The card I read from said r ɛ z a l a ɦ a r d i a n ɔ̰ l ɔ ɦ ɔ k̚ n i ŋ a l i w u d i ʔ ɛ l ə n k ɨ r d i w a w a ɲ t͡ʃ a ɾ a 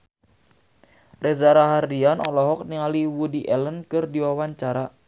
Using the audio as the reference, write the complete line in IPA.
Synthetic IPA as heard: r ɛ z a ɾ a ɦ a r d i a n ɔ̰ l ɔ ɦ ɔ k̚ n i ŋ a l i w u d i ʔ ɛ l ə n k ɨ r d i w a w a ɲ t͡ʃ a ɾ a